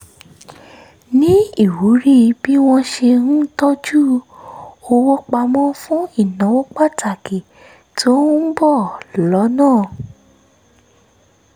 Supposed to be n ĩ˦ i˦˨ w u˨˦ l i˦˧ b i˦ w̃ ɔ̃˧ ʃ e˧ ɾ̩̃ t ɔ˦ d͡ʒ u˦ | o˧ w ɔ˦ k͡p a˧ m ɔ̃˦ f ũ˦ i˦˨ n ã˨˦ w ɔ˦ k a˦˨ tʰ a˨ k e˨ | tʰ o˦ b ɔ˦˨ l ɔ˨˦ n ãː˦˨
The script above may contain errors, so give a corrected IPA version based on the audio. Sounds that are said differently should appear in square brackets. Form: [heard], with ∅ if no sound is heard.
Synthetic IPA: n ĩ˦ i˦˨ w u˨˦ [ɾ] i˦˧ b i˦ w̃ ɔ̃˧ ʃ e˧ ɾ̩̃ t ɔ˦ d͡ʒ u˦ | o˧ w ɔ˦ k͡p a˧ m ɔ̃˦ f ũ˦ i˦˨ n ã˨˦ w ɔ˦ [k͡p] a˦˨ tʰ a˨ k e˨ | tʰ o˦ b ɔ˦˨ l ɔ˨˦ n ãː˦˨